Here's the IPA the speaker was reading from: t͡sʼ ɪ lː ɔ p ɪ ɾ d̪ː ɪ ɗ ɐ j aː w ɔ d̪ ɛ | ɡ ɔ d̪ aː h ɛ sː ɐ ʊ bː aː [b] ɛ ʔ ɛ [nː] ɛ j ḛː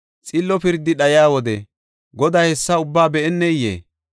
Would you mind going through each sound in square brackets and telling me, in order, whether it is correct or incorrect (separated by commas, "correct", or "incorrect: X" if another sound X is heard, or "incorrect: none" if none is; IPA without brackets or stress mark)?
correct, correct